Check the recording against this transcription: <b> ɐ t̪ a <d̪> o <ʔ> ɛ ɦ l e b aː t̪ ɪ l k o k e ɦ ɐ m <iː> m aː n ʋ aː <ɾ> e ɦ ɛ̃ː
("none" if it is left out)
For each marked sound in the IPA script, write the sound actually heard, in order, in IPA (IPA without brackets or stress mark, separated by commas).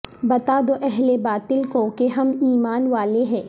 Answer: b, d̪, ʔ, iː, l